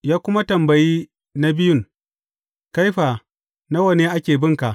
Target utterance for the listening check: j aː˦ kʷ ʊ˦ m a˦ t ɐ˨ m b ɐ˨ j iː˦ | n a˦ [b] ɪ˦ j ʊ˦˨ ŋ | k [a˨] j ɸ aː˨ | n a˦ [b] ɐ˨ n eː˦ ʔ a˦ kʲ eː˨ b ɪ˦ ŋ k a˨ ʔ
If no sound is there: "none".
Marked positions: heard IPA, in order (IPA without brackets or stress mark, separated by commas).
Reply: b, a˦, w